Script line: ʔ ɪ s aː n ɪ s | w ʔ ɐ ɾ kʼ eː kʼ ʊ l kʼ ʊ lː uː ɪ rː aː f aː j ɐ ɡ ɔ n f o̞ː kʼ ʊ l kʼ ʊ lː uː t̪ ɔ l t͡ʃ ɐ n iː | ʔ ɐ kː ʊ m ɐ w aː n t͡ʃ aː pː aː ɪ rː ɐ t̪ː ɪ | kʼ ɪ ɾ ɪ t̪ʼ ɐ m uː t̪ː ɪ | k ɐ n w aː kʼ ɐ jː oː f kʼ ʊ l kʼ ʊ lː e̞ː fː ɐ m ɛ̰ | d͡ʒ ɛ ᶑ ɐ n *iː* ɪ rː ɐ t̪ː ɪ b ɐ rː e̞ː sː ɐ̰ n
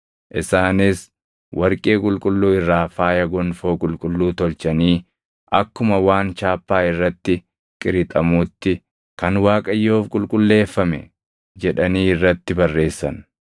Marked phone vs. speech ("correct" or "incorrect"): correct